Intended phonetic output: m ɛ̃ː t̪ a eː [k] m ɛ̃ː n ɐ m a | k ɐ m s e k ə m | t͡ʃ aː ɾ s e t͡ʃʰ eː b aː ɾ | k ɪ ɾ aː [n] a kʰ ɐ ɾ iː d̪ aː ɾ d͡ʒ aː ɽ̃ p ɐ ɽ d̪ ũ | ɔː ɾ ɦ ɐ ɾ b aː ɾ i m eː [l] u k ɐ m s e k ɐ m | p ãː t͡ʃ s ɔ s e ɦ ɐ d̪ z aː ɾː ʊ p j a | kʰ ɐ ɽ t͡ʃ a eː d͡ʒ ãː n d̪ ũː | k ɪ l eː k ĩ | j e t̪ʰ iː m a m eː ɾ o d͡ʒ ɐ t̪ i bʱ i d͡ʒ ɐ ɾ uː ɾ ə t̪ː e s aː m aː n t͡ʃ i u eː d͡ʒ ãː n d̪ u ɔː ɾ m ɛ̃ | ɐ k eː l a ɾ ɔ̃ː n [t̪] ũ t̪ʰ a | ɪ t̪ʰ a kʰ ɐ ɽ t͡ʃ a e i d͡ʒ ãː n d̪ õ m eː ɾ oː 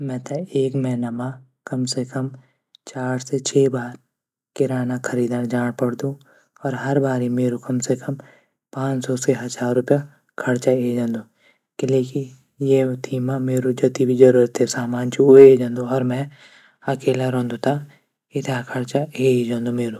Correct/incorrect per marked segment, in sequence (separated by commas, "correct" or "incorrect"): correct, correct, incorrect, incorrect